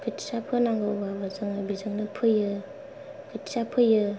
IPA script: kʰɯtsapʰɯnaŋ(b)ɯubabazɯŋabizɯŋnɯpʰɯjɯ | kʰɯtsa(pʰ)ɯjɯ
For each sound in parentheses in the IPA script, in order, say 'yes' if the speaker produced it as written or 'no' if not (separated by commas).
no, yes